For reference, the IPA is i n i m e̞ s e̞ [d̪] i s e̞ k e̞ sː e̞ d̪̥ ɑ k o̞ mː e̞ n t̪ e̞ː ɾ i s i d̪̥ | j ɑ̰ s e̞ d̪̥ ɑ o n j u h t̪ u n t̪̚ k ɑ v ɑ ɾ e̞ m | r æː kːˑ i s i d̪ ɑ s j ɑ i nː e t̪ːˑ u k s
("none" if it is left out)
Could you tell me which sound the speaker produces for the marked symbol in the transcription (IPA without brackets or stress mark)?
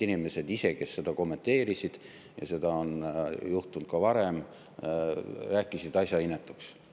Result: d̪